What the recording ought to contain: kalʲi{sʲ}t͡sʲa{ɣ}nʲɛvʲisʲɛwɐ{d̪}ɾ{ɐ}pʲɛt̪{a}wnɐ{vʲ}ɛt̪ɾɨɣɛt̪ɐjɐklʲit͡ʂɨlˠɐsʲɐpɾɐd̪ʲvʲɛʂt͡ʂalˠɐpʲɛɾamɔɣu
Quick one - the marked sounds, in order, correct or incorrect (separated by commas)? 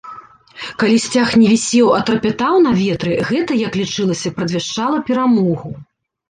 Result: correct, incorrect, incorrect, correct, correct, correct